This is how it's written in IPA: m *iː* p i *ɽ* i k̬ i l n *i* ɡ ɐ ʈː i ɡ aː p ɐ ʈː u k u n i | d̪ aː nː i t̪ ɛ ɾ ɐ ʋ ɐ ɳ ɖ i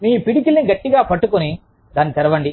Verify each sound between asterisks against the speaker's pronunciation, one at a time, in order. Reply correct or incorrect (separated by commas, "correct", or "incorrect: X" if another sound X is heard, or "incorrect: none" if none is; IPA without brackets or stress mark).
correct, correct, correct